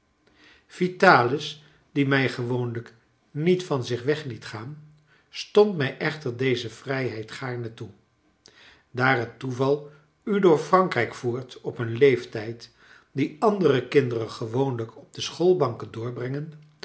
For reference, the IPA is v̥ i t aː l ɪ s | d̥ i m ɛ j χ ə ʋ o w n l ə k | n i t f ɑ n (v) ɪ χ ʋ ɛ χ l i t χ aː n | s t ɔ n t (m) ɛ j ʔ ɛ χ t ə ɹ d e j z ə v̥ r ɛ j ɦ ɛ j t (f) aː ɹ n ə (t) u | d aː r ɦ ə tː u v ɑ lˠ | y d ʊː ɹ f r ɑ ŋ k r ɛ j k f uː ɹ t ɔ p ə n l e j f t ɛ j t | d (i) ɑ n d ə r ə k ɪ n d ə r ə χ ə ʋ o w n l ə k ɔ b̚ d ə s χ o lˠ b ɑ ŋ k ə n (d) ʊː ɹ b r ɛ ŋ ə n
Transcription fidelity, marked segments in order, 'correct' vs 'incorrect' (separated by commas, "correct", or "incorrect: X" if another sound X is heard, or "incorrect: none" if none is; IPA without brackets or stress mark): incorrect: z, correct, incorrect: χ, correct, correct, correct